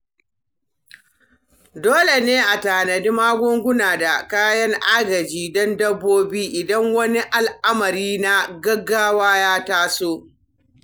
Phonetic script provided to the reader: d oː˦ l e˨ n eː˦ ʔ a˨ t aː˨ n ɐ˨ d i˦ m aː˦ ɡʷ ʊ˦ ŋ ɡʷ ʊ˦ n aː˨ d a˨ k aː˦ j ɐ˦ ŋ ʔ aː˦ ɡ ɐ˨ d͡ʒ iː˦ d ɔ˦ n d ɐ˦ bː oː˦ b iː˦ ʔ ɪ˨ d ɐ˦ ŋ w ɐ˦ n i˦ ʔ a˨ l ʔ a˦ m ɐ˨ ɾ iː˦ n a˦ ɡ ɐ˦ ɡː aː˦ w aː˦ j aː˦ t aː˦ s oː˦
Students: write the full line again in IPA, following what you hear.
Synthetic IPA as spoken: d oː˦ l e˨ n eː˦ ʔ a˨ t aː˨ n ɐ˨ d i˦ m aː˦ ɡʷ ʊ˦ ŋ ɡʷ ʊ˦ n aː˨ d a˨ k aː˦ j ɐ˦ ŋ ʔ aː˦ ɡ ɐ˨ d͡ʒ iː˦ d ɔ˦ n d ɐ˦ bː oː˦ b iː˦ ʔ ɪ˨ d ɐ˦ ŋ w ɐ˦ n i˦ ʔ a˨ l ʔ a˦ m ɐ˨ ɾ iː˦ n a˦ ɡ ɐ˦ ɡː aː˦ w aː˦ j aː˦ t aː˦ s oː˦